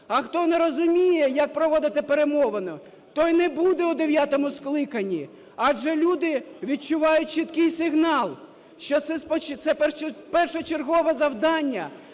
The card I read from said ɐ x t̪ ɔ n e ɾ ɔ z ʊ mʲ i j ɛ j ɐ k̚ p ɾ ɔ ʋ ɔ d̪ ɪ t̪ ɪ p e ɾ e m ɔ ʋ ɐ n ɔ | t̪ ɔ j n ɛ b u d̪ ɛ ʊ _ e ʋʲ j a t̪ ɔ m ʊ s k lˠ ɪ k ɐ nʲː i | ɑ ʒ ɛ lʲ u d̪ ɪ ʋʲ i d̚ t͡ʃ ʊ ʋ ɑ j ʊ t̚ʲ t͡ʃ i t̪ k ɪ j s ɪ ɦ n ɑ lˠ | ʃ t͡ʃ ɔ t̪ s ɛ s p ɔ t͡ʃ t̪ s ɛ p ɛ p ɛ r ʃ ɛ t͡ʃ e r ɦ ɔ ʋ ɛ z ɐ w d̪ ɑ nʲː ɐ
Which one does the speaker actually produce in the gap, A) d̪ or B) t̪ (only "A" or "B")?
A